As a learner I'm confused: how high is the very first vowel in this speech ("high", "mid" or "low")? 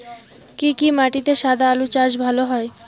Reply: high